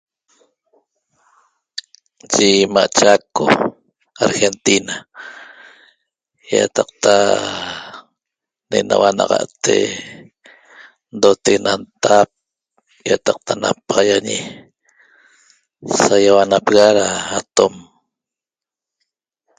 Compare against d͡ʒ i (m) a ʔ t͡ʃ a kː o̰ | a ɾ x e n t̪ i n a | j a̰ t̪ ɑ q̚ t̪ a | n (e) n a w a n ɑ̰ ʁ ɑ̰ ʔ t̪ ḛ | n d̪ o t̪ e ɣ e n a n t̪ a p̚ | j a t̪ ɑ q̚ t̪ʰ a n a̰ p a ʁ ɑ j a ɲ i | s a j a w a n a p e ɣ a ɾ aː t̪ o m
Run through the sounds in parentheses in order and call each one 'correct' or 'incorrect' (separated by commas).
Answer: correct, correct